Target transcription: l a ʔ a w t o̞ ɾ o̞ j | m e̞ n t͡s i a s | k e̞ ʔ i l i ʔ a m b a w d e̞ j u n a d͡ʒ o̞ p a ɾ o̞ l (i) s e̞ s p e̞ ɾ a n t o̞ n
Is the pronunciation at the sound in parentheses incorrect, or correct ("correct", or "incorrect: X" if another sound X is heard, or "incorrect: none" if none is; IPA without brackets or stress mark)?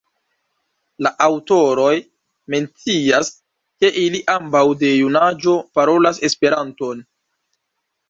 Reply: incorrect: a